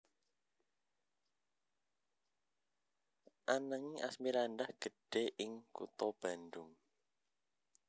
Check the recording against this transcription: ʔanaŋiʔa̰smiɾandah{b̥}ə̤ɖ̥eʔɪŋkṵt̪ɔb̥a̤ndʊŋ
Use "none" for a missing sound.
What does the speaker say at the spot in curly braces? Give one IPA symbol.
ɡ̥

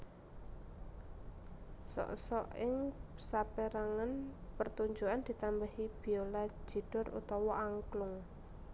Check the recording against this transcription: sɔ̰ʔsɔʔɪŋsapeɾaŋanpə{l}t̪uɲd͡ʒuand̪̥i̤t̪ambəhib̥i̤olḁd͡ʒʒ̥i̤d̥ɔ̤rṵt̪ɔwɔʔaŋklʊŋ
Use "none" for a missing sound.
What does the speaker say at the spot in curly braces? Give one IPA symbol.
r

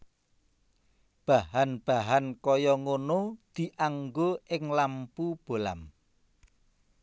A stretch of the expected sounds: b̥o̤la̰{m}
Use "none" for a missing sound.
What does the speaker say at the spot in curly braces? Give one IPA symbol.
m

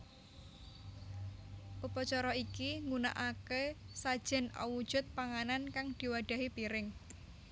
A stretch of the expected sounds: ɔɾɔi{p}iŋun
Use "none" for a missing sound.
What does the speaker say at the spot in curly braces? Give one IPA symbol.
k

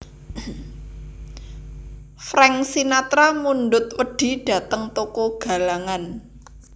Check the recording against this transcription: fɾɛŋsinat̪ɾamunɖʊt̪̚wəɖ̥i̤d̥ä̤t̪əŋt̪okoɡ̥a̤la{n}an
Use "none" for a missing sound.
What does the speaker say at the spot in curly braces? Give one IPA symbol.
ŋ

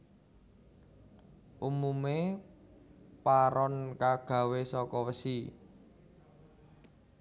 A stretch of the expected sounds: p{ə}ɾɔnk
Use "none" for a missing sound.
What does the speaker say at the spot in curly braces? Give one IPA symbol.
a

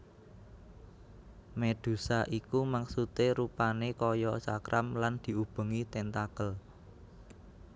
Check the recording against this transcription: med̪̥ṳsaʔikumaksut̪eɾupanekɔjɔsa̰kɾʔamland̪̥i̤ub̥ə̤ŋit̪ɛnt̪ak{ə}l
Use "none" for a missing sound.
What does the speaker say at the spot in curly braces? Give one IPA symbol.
ə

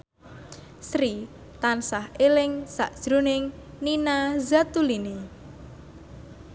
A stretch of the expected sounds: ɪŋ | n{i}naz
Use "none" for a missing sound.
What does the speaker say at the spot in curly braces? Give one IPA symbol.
i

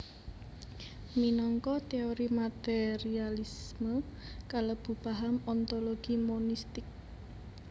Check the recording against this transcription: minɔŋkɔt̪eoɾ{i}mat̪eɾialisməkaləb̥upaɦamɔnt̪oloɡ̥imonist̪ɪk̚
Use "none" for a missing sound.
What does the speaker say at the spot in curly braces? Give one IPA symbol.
i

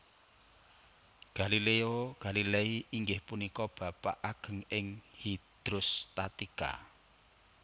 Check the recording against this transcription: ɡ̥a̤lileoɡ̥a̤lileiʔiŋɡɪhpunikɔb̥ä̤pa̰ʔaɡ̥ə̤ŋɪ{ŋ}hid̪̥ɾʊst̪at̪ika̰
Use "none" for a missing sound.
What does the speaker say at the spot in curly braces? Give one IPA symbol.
ŋ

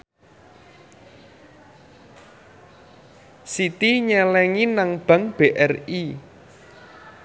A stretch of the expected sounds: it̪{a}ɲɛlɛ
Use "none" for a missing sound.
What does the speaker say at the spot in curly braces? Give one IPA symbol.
i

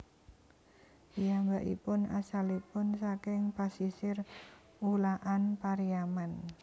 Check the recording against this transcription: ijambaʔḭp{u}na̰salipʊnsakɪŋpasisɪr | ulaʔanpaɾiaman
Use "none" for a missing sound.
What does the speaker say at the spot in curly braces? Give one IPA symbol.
ʊ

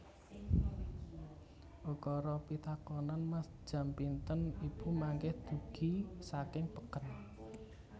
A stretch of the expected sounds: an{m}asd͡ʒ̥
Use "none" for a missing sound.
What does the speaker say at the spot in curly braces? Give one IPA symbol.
m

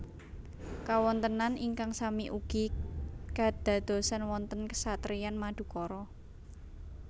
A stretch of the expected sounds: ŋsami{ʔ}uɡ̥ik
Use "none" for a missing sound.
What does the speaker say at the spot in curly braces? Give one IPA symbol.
ʔ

